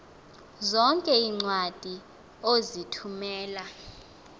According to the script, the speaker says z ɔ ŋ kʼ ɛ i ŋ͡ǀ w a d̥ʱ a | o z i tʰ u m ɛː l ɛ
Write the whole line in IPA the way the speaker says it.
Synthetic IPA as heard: z ɔ ŋ kʼ ɛ i ŋ͡ǀ w a d̥ʱ i | o z i tʰ u m ɛː l a